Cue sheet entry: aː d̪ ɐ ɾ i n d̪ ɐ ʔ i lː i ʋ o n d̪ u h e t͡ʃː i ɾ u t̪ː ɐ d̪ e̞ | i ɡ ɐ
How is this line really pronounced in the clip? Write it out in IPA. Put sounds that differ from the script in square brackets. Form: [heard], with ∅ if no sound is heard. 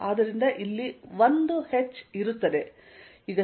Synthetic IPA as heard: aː d̪ ɐ ɾ i n d̪ ɐ ʔ i lː i ʋ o n d̪ u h e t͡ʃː i ɾ u t̪ː ɐ d̪ e̞ | i ɡ ɐ